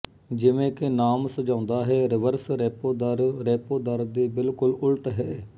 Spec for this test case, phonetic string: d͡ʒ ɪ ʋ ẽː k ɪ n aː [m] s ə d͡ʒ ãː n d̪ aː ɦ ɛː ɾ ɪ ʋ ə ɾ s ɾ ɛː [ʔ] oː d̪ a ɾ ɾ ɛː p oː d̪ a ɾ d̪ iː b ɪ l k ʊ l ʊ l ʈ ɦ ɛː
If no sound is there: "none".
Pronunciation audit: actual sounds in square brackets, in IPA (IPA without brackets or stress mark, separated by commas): m, p